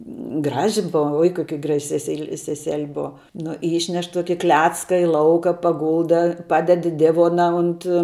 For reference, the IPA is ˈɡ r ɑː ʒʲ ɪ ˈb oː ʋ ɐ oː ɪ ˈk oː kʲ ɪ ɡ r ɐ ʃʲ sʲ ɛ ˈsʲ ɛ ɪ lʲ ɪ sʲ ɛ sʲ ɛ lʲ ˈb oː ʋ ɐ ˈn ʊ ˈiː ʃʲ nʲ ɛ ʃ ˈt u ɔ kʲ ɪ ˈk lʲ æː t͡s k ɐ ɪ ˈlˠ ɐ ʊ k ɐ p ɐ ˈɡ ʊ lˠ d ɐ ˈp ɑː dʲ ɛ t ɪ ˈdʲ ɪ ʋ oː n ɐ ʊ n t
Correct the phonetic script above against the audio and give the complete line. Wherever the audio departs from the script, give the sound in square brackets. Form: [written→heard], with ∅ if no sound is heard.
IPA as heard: ˈɡ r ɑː ʒʲ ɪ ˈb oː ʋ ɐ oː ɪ ˈk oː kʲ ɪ ɡ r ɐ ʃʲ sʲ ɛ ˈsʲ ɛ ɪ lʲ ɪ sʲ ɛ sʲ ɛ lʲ ˈb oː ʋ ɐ ˈn ʊ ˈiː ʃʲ nʲ ɛ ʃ ˈt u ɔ kʲ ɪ ˈk lʲ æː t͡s k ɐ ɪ ˈlˠ ɐ ʊ k ɐ p ɐ ˈɡ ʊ lˠ d ɐ ˈp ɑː dʲ ɛ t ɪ ˈdʲ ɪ ʋ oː n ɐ ʊ n t

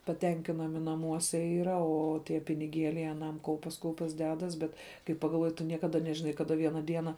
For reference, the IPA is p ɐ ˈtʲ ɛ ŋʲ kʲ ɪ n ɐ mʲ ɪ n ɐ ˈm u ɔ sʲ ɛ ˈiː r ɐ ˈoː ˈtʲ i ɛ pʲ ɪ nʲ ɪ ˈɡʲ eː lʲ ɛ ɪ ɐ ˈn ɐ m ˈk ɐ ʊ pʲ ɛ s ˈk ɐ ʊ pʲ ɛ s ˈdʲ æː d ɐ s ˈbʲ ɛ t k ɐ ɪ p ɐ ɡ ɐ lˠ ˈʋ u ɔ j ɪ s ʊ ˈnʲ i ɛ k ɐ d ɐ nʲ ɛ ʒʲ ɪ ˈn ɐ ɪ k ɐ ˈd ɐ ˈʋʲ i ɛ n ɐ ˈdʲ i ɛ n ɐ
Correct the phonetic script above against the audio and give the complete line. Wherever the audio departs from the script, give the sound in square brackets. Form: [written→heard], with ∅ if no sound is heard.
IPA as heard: p ɐ ˈtʲ ɛ ŋʲ kʲ ɪ n ɐ mʲ ɪ n ɐ ˈm u ɔ sʲ ɛ ˈiː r ɐ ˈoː ˈtʲ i ɛ pʲ ɪ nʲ ɪ ˈɡʲ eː lʲ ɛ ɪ ɐ ˈn ɐ m ˈk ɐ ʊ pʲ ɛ s ˈk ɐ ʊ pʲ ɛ s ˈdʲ æː d ɐ s ˈbʲ ɛ t k ɐ ɪ p ɐ ɡ ɐ lˠ ˈʋ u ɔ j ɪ [s→t] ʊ ˈnʲ i ɛ k ɐ d ɐ nʲ ɛ ʒʲ ɪ ˈn ɐ ɪ k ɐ ˈd ɐ ˈʋʲ i ɛ n ɐ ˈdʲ i ɛ n ɐ

